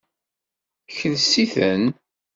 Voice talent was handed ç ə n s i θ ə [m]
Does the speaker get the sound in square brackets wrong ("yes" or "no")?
yes